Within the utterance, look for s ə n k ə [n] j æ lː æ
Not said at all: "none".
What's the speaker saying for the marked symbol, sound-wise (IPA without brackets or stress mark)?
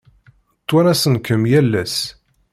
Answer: m